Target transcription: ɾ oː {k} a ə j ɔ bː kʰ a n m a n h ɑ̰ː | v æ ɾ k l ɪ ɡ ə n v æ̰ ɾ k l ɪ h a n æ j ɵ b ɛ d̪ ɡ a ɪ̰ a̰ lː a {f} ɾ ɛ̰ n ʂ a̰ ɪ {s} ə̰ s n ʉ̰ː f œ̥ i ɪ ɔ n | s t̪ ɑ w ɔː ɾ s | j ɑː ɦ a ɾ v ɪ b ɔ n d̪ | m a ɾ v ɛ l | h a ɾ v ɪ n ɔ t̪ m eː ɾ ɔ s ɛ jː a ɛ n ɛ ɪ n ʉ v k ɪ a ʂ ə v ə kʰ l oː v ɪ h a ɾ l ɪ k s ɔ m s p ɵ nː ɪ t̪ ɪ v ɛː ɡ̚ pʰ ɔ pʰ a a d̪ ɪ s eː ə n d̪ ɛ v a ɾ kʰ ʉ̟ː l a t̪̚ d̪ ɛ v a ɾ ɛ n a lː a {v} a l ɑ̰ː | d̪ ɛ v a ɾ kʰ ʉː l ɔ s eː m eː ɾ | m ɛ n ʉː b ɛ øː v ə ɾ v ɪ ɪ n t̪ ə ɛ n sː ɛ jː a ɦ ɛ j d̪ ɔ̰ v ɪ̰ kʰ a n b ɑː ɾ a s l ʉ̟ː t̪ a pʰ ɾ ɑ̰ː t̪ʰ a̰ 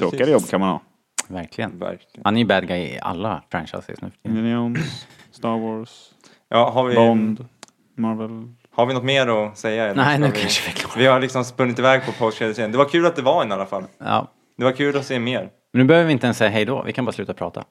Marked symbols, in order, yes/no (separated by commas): yes, yes, yes, no